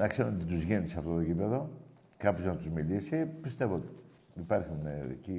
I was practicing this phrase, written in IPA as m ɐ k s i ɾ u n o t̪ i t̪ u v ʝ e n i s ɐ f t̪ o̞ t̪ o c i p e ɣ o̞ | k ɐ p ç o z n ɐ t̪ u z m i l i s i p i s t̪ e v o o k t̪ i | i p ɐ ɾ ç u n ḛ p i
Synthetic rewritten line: n ɐ k s e ɾ u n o t̪ i t̪ u z ʝ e n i s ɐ f t̪ o̞ t̪ o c i p e ð o̞ | k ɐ p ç o z n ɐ t̪ u z m i l i s i p i s t̪ e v o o t̪ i | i p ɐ ɾ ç u n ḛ c i